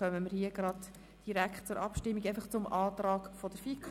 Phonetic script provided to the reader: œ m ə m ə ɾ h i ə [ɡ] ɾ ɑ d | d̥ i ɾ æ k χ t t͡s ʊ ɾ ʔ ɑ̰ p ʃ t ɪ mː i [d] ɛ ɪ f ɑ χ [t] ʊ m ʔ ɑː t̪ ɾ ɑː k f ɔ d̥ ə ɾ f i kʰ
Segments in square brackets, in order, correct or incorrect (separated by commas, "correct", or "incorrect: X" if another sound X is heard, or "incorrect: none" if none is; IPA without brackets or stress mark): correct, incorrect: ɡ, incorrect: t͡s